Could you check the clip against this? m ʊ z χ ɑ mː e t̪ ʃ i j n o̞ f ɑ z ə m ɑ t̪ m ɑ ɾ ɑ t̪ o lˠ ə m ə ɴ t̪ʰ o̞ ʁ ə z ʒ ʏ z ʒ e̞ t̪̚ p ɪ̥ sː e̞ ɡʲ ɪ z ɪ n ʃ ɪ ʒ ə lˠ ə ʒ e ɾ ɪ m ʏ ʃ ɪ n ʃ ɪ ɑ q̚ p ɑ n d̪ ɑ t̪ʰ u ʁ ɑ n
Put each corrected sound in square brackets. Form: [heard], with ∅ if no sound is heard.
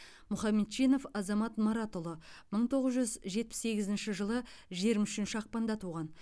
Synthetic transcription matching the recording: m ʊ [∅] χ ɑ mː e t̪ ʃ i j n o̞ f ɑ z [ɑ] m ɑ t̪ m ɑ ɾ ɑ t̪ o lˠ ə m ə ɴ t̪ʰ o̞ ʁ ə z ʒ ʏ z ʒ e̞ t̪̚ p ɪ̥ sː e̞ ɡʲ ɪ z ɪ n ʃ ɪ ʒ ə lˠ ə ʒ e ɾ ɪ m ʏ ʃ ɪ n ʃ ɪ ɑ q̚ p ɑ n d̪ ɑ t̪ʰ u ʁ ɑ n